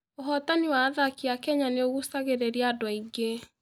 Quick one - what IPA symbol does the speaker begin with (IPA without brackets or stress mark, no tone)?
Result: o